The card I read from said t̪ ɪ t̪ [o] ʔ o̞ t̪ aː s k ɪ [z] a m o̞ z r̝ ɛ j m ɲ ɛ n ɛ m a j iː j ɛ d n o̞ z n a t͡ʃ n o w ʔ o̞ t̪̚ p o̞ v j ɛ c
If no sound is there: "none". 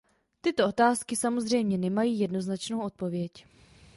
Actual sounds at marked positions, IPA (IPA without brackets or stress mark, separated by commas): o, s